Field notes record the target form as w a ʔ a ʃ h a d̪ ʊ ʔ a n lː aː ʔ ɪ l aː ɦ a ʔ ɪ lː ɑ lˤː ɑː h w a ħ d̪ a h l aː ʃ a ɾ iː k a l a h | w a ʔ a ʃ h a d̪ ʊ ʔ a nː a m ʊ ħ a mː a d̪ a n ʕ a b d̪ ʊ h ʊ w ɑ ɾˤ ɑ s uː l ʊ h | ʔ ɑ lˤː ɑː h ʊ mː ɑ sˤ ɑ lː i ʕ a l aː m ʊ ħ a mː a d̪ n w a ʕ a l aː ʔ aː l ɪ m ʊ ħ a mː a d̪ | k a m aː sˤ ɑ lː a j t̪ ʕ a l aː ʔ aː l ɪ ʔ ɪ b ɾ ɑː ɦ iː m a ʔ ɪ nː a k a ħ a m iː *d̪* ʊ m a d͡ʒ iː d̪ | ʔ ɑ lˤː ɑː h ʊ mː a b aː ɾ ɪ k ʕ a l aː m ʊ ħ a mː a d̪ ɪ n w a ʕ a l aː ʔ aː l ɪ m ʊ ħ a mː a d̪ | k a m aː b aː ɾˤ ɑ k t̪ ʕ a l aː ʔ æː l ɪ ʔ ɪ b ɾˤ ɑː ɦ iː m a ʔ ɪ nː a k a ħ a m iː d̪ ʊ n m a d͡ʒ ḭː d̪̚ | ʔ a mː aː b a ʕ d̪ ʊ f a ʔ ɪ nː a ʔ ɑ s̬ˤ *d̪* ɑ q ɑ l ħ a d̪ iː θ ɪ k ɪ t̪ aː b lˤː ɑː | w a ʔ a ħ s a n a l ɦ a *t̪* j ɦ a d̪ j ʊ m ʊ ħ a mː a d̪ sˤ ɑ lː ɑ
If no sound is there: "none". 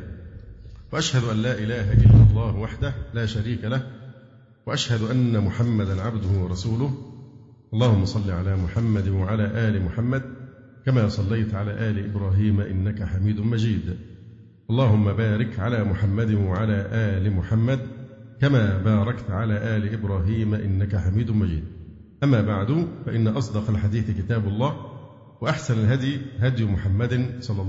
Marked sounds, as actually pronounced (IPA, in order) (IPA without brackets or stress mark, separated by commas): d̪, d̪, d̪